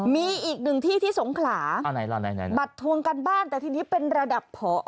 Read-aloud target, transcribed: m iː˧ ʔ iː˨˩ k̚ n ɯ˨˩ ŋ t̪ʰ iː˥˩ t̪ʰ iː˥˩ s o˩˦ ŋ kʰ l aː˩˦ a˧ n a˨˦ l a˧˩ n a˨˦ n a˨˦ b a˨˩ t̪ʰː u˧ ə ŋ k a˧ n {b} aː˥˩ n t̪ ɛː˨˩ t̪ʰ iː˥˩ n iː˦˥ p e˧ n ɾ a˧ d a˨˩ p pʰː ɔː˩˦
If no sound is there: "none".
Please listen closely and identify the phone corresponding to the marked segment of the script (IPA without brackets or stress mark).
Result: b